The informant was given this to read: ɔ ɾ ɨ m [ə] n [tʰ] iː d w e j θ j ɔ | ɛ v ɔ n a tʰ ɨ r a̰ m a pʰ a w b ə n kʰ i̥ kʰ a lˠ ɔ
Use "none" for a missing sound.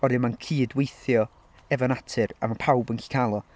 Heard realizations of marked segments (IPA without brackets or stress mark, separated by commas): a, kʰ